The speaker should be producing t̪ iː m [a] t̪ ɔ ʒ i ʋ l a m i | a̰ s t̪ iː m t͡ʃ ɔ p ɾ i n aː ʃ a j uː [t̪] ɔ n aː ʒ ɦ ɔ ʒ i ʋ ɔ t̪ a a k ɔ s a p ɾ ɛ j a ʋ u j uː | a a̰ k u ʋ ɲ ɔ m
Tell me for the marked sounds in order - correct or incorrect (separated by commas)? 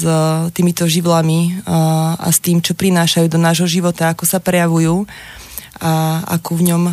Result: incorrect, incorrect